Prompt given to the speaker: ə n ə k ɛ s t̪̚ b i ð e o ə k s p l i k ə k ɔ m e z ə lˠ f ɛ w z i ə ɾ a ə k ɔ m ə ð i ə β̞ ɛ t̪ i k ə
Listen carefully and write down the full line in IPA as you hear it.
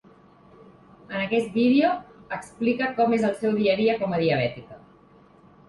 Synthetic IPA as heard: ə n ə k ɛ s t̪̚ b i ð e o ə k s p l i k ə k ɔ m e z ə lˠ s ɛ w ð i ə ɾ i ə k ɔ m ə ð i ə β̞ ɛ t̪ i k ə